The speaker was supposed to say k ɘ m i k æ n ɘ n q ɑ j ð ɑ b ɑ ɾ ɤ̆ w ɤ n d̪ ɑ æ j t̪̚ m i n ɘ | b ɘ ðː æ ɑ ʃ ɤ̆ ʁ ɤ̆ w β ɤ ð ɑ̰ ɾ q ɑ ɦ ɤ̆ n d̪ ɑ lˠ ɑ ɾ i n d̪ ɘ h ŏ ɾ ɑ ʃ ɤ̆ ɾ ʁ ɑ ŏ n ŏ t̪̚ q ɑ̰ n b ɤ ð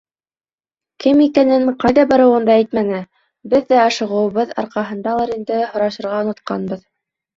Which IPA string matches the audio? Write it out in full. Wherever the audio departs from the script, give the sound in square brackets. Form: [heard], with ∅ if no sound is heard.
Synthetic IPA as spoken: k ɘ m i k æ n ɘ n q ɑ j ð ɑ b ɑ ɾ ɤ̆ w ɤ n d̪ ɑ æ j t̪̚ m [æ] n ɘ | b ɘ ðː æ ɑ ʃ ɤ̆ ʁ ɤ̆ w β ɤ ð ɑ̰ ɾ q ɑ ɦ ɤ̆ n d̪ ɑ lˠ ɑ ɾ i n d̪ ɘ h ŏ ɾ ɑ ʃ ɤ̆ ɾ ʁ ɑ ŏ n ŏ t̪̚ q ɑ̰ n b ɤ ð